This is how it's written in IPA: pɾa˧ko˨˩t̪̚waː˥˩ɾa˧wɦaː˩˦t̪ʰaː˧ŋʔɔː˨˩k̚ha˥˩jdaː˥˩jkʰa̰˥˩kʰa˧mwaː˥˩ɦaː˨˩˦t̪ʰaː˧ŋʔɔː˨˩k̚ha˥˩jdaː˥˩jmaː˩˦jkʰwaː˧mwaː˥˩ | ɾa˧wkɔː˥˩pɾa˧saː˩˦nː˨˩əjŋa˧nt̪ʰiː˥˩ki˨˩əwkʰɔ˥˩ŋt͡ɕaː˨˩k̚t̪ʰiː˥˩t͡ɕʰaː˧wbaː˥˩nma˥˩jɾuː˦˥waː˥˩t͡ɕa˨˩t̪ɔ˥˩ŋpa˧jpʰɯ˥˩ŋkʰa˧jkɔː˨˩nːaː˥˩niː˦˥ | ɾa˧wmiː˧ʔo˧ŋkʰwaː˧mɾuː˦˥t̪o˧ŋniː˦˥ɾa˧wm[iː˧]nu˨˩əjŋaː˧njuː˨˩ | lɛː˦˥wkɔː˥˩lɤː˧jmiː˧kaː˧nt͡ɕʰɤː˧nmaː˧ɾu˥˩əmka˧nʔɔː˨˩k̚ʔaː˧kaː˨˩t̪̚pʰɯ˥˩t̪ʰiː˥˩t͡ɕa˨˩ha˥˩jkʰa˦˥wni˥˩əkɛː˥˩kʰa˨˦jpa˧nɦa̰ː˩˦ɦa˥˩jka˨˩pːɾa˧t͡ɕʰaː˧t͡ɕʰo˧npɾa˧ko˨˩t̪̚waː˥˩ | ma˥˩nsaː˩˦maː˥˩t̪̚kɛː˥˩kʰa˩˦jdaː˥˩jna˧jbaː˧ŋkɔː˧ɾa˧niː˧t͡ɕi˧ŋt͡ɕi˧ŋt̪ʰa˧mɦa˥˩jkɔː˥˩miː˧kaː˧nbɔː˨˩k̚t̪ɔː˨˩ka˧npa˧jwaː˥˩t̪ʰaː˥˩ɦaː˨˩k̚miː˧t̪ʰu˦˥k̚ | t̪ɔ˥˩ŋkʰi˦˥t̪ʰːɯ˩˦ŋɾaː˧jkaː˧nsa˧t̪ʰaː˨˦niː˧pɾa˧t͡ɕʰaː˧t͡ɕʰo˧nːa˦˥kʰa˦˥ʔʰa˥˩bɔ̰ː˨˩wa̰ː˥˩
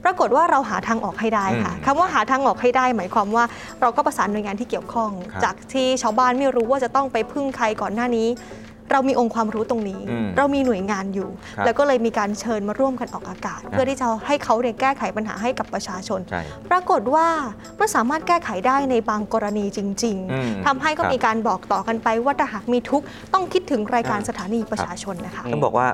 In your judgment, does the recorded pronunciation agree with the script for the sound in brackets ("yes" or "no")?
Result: yes